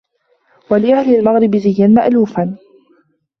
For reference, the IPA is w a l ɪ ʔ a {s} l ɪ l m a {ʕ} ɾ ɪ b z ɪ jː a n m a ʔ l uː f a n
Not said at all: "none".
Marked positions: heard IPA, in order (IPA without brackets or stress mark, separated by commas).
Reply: h, ɣ